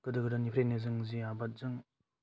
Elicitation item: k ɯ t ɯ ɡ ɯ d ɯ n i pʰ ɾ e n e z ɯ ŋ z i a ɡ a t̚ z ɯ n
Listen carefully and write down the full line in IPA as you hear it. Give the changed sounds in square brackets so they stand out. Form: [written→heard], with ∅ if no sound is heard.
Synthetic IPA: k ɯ [t→d] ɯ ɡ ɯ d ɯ n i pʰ ɾ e n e z ɯ ŋ z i a [ɡ→b] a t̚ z ɯ [n→ŋ]